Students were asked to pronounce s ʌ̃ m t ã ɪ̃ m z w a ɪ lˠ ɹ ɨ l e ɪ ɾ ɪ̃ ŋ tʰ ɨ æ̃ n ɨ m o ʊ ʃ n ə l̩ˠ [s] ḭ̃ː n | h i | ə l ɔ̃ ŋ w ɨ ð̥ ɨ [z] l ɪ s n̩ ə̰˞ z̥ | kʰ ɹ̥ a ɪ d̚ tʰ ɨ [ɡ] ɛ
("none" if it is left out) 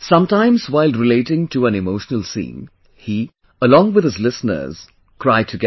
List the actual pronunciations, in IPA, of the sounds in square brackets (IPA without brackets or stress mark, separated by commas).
s, z, ɡ